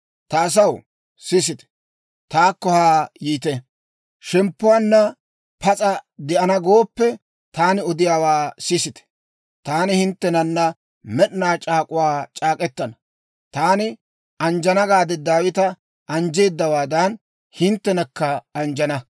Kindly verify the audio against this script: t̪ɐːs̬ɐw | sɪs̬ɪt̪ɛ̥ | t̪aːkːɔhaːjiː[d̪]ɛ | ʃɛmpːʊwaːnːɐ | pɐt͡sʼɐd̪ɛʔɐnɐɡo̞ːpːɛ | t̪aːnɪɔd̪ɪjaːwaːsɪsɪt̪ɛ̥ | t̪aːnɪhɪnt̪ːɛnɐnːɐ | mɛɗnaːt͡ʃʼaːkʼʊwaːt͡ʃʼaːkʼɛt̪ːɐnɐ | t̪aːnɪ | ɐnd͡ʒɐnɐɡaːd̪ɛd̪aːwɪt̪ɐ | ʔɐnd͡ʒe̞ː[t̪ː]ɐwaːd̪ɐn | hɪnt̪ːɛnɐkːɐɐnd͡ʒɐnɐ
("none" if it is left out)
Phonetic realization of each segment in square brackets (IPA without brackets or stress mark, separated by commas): t̪, d̪ː